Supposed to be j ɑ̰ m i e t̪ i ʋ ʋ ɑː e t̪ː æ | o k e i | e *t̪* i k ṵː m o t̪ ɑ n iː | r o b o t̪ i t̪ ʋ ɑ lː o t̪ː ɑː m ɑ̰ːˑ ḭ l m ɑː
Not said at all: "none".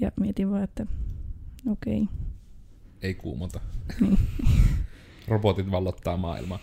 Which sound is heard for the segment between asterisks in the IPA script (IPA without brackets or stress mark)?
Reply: none